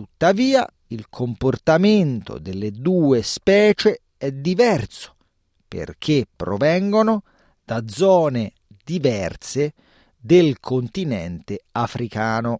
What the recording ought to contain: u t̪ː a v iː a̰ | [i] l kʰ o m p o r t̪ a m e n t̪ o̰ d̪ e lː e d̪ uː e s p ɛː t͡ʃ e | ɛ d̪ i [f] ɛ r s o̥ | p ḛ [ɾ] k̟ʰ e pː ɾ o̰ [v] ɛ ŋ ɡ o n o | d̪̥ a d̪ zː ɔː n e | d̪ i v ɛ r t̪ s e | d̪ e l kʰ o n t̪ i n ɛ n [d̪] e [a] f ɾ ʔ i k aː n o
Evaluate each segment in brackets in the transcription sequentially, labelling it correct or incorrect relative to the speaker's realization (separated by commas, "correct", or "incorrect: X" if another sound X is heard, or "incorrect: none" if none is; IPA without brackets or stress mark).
correct, incorrect: v, incorrect: r, correct, incorrect: t̪, correct